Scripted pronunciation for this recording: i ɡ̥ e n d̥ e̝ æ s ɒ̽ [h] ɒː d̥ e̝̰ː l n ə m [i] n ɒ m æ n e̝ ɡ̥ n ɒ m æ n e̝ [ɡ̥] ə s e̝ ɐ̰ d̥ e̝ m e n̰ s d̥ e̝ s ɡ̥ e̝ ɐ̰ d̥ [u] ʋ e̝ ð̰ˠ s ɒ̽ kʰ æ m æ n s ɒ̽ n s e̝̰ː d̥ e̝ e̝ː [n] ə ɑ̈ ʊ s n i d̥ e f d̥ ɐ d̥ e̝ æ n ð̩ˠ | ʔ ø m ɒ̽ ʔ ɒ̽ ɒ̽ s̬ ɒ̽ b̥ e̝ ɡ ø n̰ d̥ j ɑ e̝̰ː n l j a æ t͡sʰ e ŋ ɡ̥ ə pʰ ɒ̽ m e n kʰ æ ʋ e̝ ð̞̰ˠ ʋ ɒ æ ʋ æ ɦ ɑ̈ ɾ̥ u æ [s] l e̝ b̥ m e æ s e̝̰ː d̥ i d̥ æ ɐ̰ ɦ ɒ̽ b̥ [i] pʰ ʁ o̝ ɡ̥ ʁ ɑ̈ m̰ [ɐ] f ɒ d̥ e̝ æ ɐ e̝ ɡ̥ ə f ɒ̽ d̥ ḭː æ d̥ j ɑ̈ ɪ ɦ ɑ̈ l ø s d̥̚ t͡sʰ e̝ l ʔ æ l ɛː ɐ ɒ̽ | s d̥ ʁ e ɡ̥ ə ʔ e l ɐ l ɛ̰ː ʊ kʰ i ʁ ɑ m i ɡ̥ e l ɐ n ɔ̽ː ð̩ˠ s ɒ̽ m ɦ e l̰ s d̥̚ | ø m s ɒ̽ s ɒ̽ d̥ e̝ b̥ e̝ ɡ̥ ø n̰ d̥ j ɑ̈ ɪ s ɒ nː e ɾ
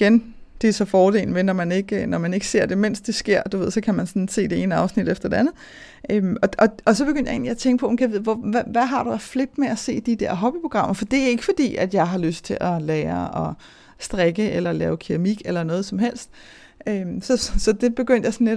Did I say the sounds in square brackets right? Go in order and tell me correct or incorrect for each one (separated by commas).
incorrect, incorrect, correct, correct, correct, incorrect, correct, correct